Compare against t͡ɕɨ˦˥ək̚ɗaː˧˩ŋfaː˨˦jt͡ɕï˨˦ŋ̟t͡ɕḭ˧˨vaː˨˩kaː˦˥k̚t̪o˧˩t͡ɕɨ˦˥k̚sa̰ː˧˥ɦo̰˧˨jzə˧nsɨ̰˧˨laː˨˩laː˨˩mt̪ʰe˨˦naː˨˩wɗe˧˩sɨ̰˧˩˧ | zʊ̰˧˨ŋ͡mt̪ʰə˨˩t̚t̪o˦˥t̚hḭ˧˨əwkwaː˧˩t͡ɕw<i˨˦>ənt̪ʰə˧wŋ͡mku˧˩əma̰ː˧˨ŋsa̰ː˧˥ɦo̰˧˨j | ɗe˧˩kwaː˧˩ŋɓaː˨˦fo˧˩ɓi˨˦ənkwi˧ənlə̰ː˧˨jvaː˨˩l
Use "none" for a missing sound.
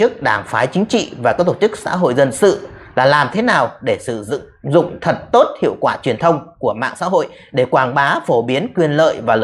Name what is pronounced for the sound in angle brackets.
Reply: i˨˩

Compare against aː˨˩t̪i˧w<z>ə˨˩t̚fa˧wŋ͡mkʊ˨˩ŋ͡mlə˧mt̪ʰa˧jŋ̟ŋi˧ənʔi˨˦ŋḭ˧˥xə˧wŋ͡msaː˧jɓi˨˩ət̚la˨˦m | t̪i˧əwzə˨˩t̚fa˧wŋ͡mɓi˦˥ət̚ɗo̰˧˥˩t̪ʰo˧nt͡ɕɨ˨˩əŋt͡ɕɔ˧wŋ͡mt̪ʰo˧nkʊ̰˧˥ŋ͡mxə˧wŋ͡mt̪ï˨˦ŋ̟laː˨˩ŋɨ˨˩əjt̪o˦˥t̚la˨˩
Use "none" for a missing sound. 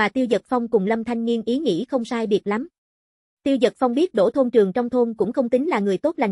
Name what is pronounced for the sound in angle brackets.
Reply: z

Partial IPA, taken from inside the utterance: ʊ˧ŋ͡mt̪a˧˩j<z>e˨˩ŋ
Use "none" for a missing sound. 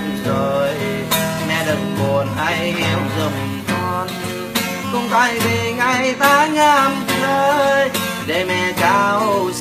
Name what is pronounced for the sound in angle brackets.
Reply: v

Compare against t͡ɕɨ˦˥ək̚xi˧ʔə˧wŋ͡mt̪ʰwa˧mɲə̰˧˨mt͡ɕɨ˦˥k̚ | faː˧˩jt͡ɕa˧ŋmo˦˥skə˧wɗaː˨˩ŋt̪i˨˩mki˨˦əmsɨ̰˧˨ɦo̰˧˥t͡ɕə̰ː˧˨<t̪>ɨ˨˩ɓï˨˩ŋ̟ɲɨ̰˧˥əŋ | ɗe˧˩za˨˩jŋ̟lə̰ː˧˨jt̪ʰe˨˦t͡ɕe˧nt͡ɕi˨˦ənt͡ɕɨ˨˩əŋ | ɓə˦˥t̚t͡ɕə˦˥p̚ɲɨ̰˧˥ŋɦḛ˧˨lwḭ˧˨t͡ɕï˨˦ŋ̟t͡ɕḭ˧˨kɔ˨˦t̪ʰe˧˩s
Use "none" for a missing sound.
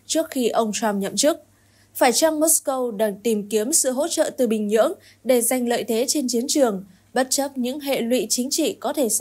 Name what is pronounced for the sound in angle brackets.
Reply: t̪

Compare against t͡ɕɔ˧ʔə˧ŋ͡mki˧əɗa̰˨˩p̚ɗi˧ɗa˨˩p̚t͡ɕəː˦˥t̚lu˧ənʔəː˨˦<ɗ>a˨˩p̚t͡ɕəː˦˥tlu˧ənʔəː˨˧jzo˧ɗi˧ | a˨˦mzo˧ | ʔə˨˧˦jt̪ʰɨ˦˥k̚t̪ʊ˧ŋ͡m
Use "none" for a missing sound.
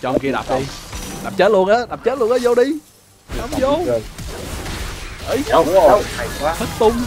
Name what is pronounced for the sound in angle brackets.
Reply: ɗ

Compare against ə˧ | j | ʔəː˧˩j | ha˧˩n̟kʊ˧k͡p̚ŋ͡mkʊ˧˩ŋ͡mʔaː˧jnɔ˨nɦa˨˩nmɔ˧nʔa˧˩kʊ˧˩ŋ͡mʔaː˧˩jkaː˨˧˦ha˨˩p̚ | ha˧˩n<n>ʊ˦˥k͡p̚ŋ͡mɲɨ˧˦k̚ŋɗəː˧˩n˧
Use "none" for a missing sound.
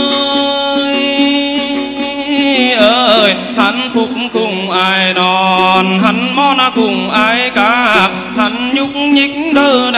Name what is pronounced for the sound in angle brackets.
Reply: ɲ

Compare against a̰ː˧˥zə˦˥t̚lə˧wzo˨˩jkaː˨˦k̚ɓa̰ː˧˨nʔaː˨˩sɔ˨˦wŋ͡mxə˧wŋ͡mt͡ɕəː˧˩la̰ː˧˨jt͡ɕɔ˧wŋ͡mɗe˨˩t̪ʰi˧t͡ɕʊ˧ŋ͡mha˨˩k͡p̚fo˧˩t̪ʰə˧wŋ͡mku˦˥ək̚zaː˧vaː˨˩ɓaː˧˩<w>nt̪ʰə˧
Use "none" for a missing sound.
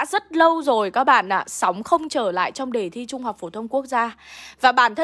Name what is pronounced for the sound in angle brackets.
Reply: none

